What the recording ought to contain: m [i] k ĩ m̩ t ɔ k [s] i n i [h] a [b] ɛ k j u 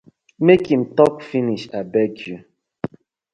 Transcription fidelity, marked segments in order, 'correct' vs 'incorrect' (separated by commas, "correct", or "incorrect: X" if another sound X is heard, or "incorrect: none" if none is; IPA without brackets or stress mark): incorrect: e, incorrect: f, incorrect: ʃ, correct